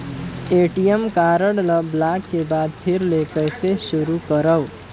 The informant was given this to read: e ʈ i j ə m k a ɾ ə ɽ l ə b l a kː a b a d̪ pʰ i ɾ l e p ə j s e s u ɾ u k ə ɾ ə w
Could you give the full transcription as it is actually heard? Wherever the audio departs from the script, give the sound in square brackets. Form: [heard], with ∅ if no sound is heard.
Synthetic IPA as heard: e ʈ i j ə m k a ɾ ə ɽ l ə b l a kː [e] b a d̪ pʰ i ɾ l e [k] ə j s e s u ɾ u k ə ɾ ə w